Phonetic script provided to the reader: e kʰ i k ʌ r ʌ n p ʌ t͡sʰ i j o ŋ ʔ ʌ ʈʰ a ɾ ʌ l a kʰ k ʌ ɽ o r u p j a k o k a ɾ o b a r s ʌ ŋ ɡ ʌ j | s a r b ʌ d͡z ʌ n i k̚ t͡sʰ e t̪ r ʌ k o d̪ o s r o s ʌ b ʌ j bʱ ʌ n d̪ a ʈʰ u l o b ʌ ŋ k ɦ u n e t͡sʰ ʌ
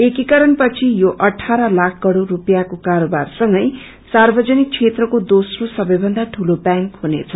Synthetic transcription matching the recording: e k i k ʌ ɾ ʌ n p ʌ t͡sʰ i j o ʔ ʌ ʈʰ a ɾ ʌ l a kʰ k ʌ ɽ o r u p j a k o k a ɾ o b a r s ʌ ŋ ɡ ʌ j | s a r b ʌ d͡z ʌ n i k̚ t͡sʰ e t̪ r ʌ k o d̪ o s r o s ʌ b ʌ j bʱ ʌ n d̪ a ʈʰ u l o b a ŋ k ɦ u n e t͡sʰ ʌ